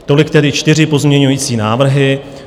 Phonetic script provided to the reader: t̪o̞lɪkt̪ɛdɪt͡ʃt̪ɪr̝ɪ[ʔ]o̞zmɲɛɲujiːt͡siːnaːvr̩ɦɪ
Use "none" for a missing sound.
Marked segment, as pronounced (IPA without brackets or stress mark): p